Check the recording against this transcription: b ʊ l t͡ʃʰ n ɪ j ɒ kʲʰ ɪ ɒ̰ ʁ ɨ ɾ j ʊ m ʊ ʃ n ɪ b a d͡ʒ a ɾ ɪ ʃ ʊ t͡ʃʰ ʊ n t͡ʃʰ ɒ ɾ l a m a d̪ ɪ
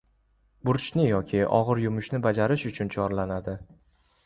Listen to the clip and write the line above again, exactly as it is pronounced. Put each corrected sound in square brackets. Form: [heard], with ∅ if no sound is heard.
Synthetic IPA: b ʊ [ɾ] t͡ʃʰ n ɪ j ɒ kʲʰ ɪ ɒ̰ ʁ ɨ ɾ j ʊ m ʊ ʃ n ɪ b a d͡ʒ a ɾ ɪ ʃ ʊ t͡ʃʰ ʊ n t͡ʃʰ ɒ ɾ l a [n] a d̪ ɪ

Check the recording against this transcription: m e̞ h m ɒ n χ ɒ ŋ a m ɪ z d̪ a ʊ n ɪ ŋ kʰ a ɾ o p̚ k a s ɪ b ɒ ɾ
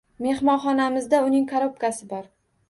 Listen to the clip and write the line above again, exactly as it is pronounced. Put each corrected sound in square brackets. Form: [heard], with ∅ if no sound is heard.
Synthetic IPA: m e̞ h m ɒ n χ ɒ [n] a m ɪ z d̪ a ʊ n ɪ ŋ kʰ a ɾ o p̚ k a s ɪ b ɒ ɾ

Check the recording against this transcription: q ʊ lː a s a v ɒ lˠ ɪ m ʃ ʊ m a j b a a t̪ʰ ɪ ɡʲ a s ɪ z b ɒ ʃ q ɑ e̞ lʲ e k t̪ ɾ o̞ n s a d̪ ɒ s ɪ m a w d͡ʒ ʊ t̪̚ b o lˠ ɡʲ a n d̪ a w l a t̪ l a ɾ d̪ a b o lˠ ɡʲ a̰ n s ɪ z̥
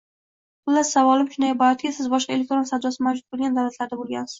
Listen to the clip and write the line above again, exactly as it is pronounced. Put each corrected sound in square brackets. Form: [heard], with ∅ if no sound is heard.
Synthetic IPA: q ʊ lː a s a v ɒ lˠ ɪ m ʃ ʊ [n] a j b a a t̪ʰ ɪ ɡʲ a s ɪ z b ɒ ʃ q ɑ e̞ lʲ e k t̪ ɾ o̞ n s a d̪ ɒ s ɪ m a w d͡ʒ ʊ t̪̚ b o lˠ ɡʲ a n d̪ a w l a t̪ l a ɾ d̪ a b o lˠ ɡʲ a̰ n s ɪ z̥

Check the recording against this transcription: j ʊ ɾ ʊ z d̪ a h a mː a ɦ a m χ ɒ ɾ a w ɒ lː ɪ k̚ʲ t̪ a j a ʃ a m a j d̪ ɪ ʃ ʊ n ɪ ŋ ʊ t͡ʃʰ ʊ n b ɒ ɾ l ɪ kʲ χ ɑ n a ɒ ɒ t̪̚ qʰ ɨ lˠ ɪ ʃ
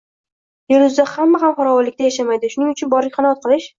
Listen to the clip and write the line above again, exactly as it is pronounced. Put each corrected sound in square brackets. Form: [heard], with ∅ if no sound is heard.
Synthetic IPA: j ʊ ɾ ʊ z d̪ a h a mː a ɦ a m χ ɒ ɾ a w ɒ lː ɪ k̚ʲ t̪ a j a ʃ a m a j d̪ ɪ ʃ ʊ n ɪ ŋ ʊ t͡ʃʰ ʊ n b ɒ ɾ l ɪ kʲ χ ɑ n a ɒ ɒ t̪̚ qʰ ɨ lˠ ɪ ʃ

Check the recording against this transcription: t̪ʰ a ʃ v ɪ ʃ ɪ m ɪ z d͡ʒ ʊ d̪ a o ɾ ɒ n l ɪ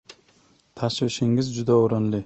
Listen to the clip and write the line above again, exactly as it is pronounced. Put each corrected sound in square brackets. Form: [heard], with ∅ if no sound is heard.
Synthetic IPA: t̪ʰ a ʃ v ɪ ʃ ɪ [ŋ] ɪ z d͡ʒ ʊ d̪ a o ɾ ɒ n l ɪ

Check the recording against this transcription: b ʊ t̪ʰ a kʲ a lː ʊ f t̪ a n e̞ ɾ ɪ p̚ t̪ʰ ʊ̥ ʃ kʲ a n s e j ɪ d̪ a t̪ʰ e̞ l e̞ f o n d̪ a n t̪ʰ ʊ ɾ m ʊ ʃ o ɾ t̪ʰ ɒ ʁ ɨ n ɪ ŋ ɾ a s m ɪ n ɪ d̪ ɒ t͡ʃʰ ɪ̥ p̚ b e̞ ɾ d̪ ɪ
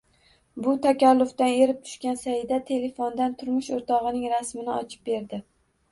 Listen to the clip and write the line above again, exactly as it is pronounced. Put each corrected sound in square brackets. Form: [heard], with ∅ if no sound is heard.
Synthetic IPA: b ʊ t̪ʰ a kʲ a lː ʊ f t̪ a n e̞ ɾ ɪ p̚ t̪ʰ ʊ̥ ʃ kʲ a n s [a] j ɪ d̪ a t̪ʰ e̞ l e̞ f o n d̪ a n t̪ʰ ʊ ɾ m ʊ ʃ o ɾ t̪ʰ ɒ ʁ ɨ n ɪ ŋ ɾ a s m ɪ n ɪ [∅] ɒ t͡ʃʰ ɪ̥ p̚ b e̞ ɾ d̪ ɪ

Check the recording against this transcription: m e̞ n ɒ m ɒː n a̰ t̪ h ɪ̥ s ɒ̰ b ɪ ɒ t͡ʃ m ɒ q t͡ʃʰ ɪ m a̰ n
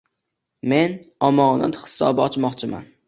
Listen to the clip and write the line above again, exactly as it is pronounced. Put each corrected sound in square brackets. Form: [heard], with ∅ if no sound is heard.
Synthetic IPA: m e̞ n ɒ m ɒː n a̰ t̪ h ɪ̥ s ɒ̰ b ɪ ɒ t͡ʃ m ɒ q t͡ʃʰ ɪ m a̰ n

